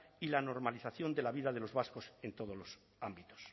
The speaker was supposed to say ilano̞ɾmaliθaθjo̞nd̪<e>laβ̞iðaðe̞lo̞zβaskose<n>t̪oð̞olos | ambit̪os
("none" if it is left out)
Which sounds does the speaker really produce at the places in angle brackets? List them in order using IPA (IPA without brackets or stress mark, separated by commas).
e, n